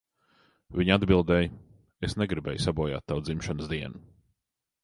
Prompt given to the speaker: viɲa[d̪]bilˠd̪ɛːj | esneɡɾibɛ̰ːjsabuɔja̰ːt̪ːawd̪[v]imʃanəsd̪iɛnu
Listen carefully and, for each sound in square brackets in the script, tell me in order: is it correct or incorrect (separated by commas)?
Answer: correct, incorrect